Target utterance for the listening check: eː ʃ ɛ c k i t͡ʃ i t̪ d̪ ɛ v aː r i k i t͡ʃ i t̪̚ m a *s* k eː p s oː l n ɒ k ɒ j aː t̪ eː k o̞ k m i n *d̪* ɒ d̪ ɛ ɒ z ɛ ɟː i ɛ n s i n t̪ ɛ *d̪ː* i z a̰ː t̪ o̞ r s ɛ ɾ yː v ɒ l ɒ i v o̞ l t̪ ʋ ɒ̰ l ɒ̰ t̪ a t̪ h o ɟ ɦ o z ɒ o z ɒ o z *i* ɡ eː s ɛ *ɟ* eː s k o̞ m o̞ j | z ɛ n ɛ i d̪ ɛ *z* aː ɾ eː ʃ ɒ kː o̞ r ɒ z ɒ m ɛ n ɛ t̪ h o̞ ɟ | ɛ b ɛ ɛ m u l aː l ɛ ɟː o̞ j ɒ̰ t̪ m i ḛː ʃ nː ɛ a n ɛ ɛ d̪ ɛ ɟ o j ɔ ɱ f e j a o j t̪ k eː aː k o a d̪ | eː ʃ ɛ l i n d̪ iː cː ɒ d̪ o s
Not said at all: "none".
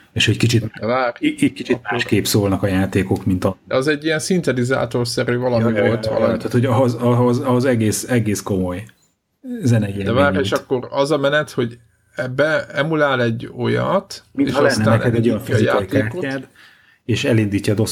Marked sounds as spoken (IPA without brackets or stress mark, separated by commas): ʃ, t̪, d̪, ɛ, ɡ, v